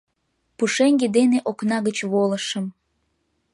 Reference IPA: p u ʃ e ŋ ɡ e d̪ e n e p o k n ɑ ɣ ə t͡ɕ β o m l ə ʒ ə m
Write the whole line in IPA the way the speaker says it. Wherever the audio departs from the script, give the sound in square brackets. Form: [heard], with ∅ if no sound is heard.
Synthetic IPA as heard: p u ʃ e ŋ ɡ e d̪ e n e [ʔ] o k n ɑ ɣ ə t͡ɕ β o [∅] l ə [ʃ] ə m